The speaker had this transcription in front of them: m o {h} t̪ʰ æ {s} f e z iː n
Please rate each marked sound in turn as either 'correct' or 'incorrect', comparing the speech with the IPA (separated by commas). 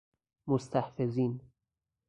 incorrect, incorrect